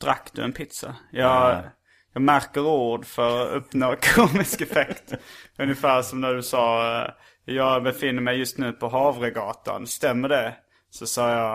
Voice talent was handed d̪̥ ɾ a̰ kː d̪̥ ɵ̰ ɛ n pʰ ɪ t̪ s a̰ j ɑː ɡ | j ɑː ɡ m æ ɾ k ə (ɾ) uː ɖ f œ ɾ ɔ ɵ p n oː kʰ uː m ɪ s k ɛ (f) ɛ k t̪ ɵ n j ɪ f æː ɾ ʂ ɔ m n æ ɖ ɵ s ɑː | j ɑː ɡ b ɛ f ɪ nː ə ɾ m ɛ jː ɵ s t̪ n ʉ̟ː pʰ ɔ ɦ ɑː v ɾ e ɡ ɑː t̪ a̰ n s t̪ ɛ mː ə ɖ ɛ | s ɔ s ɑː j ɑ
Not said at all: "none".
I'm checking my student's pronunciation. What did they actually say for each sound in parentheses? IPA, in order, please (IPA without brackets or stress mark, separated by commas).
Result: ɾ, f